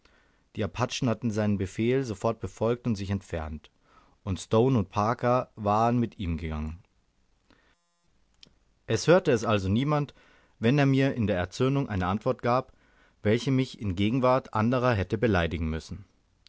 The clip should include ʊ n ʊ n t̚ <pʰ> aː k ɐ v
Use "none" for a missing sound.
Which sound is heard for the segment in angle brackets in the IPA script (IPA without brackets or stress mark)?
pʰ